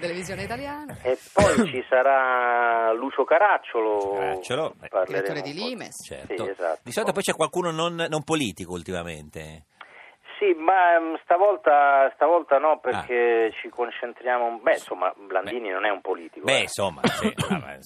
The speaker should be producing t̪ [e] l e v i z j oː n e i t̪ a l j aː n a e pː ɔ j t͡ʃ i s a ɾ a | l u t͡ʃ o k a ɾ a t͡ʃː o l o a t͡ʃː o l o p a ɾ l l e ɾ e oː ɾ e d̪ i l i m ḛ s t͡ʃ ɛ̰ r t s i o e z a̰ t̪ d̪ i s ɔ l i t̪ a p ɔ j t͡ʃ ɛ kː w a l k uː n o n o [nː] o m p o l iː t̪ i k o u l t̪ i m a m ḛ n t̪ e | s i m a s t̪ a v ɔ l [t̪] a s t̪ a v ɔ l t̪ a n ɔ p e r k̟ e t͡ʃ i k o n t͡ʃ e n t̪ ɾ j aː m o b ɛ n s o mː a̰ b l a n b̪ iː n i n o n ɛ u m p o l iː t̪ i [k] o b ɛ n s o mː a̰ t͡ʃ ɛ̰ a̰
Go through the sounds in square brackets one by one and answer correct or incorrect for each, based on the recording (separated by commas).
correct, correct, correct, correct